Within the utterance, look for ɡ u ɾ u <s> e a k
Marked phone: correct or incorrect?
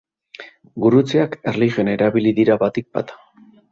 incorrect